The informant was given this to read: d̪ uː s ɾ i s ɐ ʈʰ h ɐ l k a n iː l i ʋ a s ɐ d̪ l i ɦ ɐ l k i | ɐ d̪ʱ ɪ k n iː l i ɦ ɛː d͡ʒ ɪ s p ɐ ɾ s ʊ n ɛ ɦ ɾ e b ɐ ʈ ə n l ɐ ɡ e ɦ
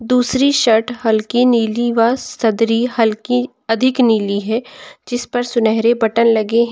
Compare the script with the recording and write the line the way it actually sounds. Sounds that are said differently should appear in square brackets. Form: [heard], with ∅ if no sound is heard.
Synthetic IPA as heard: d̪ uː s ɾ i [ʃ] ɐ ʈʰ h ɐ l k [i] n iː l i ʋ a s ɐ d̪ [ɾ] i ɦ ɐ l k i | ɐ d̪ʱ ɪ k n iː l i ɦ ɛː d͡ʒ ɪ s p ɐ ɾ s ʊ n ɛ ɦ ɾ e b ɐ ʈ ə n l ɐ ɡ e ɦ